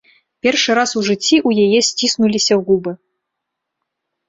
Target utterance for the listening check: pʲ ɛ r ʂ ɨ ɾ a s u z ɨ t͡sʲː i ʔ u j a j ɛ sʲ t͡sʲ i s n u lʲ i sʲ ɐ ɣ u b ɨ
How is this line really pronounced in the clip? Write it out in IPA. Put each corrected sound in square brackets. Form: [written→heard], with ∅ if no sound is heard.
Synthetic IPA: pʲ ɛ r ʂ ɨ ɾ a s u [z→ʐ] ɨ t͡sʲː i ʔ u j a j ɛ sʲ t͡sʲ i s n u lʲ i sʲ ɐ ɣ u b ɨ